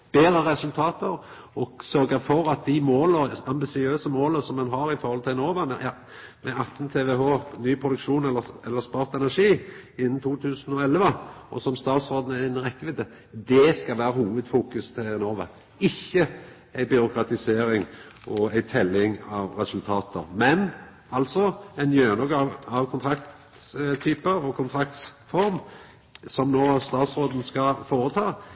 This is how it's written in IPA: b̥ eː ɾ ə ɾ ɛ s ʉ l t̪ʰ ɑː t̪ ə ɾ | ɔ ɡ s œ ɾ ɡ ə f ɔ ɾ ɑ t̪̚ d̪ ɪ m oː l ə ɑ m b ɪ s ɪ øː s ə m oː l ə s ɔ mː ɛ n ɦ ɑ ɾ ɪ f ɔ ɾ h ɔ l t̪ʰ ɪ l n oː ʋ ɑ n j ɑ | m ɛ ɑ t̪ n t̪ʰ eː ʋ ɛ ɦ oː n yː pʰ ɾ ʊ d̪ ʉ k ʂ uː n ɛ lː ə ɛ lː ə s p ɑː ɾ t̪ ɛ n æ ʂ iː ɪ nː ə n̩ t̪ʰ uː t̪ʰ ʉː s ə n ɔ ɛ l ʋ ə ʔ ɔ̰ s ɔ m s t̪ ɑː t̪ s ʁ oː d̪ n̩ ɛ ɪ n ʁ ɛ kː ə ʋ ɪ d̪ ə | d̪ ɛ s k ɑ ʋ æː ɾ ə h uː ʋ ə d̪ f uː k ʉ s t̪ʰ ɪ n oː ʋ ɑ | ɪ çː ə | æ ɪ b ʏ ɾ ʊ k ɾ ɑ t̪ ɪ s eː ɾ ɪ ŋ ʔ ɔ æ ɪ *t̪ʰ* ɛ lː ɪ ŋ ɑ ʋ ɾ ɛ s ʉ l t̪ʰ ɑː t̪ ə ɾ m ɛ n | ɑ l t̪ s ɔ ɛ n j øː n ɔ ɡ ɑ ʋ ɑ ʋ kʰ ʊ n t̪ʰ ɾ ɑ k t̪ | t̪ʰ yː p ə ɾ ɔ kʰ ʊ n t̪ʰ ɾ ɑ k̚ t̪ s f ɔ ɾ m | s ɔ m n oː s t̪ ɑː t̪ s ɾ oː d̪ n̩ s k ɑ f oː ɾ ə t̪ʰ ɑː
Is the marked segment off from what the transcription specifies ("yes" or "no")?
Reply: no